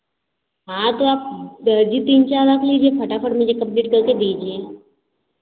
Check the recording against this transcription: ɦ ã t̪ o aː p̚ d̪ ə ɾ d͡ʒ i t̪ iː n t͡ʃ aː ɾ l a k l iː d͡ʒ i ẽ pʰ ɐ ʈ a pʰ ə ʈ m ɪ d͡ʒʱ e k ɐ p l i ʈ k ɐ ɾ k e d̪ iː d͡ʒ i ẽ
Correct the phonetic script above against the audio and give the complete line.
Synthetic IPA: ɦ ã t̪ o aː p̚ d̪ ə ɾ d͡ʒ i t̪ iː n t͡ʃ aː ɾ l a k l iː d͡ʒ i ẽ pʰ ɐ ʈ a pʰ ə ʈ m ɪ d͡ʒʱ e k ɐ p l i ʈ k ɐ ɾ k e d̪ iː d͡ʒ i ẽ